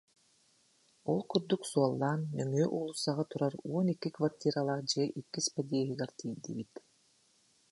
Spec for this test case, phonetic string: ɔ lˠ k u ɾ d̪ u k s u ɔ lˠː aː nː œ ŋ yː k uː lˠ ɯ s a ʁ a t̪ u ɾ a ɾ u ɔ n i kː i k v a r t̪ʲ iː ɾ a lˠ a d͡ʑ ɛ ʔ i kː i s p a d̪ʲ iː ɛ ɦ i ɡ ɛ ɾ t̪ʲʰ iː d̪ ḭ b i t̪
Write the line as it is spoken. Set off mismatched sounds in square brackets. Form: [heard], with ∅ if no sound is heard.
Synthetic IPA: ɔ lˠ k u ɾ d̪ u k s u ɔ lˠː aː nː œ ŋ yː [ʔ] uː lˠ [u] s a ʁ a t̪ u ɾ a ɾ u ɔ n i kː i k v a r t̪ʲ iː ɾ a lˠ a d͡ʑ ɛ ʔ i kː i s p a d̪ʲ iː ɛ ɦ i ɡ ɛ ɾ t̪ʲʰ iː d̪ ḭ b i t̪